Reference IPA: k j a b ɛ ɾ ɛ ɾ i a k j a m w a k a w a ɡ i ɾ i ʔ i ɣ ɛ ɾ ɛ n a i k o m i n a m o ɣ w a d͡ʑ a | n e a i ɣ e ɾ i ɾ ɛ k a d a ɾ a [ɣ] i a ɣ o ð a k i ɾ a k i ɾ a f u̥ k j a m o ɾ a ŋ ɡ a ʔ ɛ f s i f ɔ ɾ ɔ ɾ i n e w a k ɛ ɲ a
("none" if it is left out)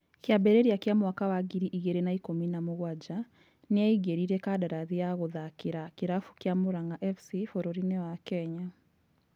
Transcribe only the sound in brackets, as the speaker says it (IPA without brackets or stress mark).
ð